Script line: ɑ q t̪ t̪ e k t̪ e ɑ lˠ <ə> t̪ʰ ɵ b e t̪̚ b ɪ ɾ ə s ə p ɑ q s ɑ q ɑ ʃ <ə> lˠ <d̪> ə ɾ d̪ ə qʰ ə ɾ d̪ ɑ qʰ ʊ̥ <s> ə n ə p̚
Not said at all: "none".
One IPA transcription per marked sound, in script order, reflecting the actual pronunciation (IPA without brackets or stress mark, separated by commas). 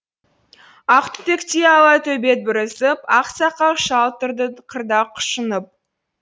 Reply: ɑ, ɑ, t̪, ʃ